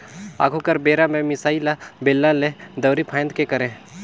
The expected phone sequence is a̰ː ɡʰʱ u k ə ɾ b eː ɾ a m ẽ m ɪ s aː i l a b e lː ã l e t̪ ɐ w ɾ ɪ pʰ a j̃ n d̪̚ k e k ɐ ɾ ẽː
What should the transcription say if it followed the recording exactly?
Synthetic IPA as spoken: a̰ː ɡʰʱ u k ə ɾ b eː ɾ a m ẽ m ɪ s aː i l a b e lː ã l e d̪ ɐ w ɾ i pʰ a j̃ n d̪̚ k e k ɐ ɾ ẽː